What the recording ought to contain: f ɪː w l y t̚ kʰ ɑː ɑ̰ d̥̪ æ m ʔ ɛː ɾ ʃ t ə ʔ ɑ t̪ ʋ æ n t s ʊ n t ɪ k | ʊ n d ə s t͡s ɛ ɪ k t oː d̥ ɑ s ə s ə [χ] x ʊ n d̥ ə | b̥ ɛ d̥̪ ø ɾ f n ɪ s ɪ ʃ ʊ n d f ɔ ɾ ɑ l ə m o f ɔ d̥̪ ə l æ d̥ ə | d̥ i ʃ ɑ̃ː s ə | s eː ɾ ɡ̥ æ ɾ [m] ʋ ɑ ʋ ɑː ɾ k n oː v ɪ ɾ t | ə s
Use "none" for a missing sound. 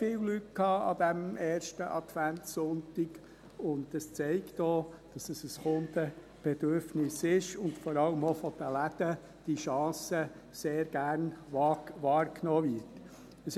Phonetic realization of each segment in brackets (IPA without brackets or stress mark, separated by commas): s, n